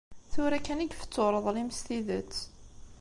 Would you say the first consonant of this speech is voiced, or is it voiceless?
voiceless